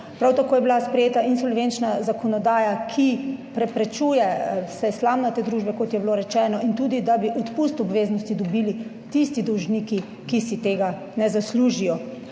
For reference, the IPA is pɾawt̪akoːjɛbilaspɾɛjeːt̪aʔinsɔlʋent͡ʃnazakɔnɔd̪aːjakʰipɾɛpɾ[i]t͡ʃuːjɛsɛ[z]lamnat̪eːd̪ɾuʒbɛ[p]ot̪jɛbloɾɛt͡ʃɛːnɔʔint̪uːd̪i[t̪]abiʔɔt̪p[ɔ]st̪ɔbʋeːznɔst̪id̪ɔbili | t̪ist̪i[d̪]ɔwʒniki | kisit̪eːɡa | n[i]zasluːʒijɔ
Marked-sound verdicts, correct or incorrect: incorrect, incorrect, incorrect, incorrect, incorrect, correct, incorrect

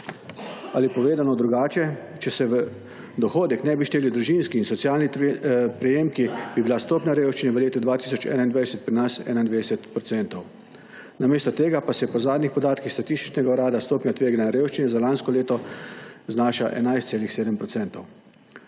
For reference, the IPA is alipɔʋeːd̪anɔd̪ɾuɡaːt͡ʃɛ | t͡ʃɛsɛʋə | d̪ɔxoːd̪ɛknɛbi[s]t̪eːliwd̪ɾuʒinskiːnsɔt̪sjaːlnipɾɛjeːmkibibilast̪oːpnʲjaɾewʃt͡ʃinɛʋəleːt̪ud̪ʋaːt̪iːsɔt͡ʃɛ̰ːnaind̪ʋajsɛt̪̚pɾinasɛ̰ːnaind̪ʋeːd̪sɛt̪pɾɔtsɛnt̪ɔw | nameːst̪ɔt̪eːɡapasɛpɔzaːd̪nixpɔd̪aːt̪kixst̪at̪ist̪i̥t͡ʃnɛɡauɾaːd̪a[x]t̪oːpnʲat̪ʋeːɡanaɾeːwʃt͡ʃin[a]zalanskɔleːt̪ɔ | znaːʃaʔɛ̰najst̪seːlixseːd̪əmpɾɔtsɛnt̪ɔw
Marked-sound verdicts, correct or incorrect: incorrect, incorrect, incorrect

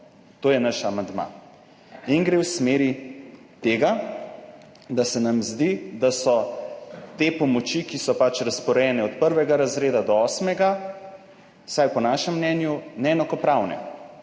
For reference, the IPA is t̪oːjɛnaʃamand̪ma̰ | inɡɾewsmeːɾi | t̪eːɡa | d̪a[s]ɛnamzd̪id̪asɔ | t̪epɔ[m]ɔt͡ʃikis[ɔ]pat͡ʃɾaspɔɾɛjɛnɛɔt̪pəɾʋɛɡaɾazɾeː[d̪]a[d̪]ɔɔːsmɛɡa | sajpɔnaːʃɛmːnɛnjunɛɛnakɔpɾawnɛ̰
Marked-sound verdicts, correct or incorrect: correct, correct, correct, correct, correct

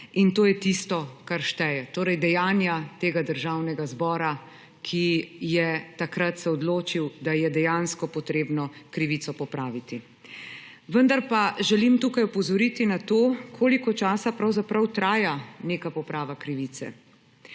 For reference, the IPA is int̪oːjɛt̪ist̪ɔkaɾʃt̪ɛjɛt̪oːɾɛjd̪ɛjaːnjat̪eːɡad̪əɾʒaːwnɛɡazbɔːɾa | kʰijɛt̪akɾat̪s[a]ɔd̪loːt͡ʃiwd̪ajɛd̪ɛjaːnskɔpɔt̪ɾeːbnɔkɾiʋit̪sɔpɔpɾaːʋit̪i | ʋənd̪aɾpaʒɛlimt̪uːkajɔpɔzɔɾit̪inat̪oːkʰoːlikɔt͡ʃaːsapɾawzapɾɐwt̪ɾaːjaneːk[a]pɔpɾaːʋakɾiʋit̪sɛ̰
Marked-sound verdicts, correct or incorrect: incorrect, correct

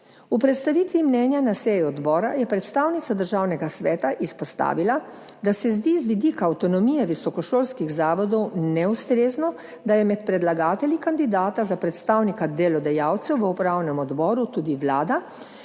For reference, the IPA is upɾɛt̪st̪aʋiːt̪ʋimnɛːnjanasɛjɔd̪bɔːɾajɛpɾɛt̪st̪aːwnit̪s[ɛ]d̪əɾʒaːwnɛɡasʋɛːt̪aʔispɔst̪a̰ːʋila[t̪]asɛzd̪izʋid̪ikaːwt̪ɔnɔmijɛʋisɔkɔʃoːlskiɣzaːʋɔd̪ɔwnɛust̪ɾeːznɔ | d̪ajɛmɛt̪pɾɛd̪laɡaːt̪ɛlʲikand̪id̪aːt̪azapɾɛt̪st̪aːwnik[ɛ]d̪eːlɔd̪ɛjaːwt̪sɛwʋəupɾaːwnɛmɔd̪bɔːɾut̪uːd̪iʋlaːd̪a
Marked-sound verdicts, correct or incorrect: incorrect, incorrect, incorrect

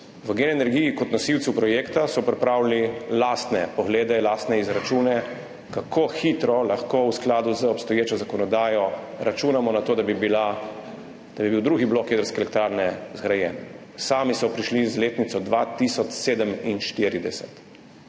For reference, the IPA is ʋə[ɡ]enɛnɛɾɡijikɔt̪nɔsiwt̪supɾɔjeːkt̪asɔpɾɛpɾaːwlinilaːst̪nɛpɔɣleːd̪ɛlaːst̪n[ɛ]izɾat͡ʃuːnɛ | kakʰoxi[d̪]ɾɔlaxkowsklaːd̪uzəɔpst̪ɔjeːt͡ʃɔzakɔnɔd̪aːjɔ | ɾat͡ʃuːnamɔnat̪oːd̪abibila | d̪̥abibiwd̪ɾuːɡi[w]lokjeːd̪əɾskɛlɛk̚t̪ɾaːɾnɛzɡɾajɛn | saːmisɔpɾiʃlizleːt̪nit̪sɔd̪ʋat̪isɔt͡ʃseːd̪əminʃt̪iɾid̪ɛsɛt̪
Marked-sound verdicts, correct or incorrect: correct, correct, incorrect, incorrect

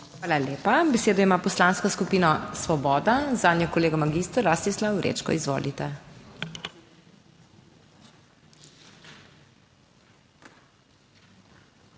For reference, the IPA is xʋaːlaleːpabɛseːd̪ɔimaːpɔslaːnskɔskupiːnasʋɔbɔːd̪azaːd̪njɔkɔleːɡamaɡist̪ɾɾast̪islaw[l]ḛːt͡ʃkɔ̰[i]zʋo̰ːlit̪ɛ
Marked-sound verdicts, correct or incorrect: incorrect, correct

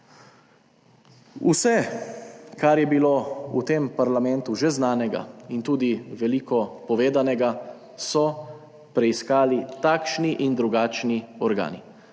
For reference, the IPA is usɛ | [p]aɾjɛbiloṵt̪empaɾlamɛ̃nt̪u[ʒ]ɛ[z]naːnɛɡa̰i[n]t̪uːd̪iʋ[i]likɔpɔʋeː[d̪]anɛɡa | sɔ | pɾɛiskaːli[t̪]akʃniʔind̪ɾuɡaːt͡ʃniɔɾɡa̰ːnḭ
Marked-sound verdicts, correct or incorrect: incorrect, correct, correct, correct, incorrect, correct, correct

